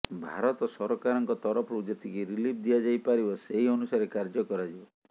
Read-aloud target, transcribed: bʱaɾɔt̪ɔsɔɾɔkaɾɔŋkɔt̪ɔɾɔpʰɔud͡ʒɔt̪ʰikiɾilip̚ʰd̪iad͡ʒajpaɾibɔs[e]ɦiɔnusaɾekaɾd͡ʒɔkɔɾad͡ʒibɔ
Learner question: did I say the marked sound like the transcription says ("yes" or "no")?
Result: yes